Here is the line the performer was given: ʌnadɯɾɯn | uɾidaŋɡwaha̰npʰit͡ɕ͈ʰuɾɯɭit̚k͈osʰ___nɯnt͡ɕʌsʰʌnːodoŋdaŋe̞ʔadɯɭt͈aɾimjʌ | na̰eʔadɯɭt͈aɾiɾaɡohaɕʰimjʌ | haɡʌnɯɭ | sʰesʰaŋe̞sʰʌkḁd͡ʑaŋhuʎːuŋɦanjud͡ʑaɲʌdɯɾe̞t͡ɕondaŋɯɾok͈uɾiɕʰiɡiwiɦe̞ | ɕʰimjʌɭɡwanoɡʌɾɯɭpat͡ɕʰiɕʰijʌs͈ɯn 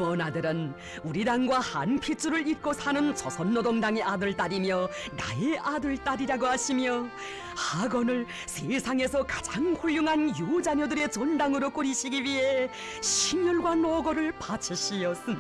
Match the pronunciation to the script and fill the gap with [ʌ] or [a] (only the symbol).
a